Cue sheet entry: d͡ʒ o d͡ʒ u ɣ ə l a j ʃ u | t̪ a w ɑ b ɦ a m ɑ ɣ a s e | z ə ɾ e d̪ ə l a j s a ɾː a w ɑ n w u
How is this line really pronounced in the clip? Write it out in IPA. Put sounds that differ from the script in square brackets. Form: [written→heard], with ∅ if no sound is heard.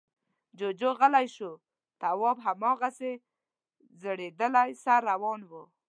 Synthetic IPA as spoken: d͡ʒ o d͡ʒ [u→o] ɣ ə l a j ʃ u | t̪ a w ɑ b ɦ a m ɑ ɣ a s e | z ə [ɾ→ɽ] e d̪ ə l a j s a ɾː a w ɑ n w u